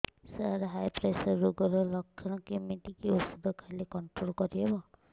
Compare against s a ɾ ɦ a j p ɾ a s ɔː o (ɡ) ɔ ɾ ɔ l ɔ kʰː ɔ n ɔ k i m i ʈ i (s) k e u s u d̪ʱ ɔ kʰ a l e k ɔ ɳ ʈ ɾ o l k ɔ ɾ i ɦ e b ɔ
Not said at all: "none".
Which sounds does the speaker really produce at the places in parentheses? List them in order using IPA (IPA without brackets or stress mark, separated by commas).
ɡ, none